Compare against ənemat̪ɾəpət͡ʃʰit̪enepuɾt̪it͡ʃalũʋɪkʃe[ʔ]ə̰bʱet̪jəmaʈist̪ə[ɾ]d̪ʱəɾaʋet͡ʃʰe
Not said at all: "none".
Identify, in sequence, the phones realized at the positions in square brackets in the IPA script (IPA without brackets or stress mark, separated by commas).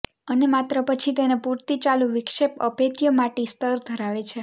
p, ɾ